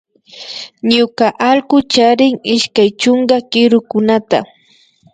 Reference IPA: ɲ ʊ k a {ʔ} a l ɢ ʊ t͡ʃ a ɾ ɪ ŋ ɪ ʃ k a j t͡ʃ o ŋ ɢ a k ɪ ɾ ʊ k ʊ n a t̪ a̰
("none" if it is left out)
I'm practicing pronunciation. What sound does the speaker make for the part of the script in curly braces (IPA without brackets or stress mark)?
ʔ